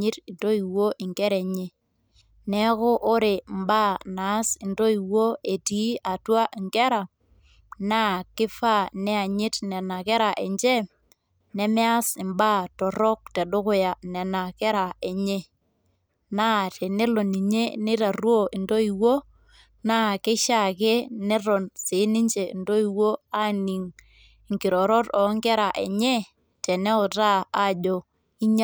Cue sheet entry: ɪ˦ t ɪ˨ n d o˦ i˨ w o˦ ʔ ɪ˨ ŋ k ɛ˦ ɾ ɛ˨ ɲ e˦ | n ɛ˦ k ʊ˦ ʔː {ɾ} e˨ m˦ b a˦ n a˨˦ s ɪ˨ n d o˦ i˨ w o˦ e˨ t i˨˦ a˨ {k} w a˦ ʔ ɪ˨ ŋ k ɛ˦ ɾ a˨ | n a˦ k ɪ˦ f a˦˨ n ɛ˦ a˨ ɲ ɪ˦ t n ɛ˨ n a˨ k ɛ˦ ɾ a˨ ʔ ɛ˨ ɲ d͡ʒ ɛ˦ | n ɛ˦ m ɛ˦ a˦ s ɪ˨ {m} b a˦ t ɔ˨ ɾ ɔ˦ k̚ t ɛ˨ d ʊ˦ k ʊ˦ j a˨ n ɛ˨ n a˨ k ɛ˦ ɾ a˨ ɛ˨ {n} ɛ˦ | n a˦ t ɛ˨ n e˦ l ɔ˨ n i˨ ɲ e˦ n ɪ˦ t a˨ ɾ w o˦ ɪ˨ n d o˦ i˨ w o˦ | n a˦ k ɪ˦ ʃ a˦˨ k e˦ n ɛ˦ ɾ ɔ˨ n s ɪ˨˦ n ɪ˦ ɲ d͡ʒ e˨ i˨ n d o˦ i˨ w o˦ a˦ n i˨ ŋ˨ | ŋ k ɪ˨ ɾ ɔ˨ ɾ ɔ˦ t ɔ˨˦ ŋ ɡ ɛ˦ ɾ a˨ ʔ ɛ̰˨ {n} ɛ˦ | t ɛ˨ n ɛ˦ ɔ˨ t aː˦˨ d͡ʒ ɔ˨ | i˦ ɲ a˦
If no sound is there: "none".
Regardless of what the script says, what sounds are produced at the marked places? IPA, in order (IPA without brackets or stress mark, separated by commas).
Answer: ɾ, t, m, ɲ, ɲ